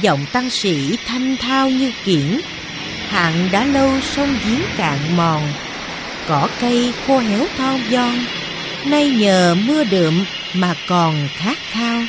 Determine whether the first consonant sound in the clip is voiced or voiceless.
voiced